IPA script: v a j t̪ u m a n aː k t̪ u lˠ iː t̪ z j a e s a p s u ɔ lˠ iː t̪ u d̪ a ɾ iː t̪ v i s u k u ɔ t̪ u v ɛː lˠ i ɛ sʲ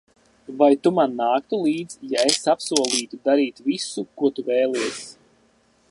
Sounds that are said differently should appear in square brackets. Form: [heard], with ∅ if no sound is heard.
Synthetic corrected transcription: v a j t̪ u m a [nː] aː k t̪ u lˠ iː [d̪] z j a e s a p s u ɔ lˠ iː t̪ u d̪ a ɾ iː t̪ v i s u k u ɔ t̪ u v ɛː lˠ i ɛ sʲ